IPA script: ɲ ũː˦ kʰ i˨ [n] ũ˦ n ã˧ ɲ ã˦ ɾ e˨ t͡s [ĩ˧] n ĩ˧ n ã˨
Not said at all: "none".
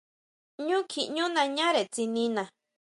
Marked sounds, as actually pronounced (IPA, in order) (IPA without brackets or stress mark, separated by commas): ɲ, i˧